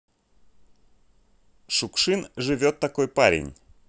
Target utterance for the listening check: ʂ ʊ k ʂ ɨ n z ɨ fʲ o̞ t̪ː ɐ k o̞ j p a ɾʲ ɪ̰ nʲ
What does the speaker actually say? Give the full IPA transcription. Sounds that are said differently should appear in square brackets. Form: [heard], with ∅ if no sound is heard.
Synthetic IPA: ʂ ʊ k ʂ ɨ n [ʐ] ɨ [vʲ] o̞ t̪ː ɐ k o̞ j p a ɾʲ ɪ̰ nʲ